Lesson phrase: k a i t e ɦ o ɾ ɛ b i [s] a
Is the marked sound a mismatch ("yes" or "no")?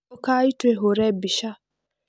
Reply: yes